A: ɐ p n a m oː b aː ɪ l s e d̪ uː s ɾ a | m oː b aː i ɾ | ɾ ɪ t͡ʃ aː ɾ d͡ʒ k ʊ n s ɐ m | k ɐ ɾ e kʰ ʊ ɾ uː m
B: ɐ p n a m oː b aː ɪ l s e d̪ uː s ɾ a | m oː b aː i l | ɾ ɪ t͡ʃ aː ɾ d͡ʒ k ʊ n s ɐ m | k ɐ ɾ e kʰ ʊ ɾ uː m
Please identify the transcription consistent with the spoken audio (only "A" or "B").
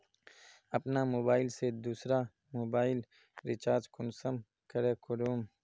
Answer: B